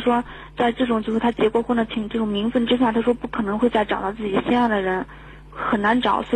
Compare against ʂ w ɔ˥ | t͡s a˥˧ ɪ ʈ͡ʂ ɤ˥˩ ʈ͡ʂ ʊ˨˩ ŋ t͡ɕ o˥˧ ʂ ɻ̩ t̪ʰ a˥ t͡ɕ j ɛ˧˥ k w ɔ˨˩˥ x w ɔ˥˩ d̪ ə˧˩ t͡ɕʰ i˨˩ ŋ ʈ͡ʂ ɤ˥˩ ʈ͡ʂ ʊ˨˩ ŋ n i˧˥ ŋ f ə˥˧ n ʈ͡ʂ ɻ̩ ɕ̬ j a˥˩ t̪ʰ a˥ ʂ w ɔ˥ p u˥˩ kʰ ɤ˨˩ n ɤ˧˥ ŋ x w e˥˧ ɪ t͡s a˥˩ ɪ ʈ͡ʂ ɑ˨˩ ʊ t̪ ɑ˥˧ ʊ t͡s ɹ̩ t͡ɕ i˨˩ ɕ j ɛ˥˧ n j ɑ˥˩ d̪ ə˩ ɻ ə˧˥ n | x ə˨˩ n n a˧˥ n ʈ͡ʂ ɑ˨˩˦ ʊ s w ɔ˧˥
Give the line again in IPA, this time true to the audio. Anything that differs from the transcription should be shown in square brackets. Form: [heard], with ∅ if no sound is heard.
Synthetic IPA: ʂ w ɔ˥ | t͡s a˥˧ ɪ ʈ͡ʂ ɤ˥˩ ʈ͡ʂ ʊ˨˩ ŋ t͡ɕ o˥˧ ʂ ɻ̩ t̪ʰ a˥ t͡ɕ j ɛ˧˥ k w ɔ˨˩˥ x w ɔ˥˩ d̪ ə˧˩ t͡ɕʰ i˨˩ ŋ ʈ͡ʂ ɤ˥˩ ʈ͡ʂ ʊ˨˩ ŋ [m] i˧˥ ŋ f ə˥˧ n ʈ͡ʂ ɻ̩ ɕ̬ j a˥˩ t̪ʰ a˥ ʂ w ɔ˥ p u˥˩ kʰ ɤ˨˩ n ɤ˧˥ ŋ x w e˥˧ ɪ t͡s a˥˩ ɪ ʈ͡ʂ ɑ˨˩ ʊ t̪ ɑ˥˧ ʊ t͡s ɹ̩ t͡ɕ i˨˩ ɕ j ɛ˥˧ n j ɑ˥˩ d̪ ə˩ ɻ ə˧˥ n | x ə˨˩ n n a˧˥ n ʈ͡ʂ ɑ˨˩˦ ʊ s w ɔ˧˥